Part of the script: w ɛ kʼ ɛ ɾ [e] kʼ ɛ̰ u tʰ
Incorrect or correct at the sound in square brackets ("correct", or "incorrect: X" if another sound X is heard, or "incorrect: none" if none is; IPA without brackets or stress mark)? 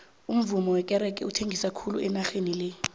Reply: incorrect: ɛ